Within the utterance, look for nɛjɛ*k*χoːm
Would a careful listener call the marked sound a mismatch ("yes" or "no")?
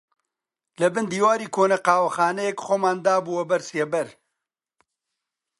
no